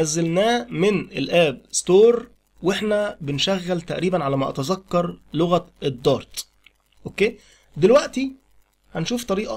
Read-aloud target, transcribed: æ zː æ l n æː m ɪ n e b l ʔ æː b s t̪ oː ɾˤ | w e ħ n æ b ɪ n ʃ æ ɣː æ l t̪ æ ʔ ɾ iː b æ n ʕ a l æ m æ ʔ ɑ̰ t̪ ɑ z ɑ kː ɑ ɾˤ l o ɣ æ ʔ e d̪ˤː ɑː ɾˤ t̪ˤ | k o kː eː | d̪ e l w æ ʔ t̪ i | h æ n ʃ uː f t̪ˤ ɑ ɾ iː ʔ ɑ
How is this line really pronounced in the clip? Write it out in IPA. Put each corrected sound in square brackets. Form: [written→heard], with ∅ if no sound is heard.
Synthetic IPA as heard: æ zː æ l n æː m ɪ n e [b→∅] l ʔ æː b s t̪ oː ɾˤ | w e ħ n æ b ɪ n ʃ æ ɣː æ l t̪ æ ʔ ɾ iː b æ n ʕ a l æ m æ ʔ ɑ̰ t̪ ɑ z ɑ kː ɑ ɾˤ l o ɣ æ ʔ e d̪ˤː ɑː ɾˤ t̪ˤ | [k→ʔ] o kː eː | d̪ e l w æ ʔ t̪ i | h æ n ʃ uː f t̪ˤ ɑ ɾ iː ʔ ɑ